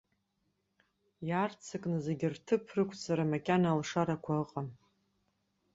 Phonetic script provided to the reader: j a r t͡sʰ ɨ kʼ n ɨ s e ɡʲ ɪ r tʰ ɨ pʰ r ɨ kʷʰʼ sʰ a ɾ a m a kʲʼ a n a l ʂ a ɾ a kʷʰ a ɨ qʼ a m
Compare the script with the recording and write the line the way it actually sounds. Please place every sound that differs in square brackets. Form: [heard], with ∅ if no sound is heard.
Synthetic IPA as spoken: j a r t͡sʰ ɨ kʼ n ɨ [z] e ɡʲ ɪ r tʰ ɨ pʰ r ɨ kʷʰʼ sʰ a ɾ a m a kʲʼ a n a l ʂ a ɾ a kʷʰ a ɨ qʼ a m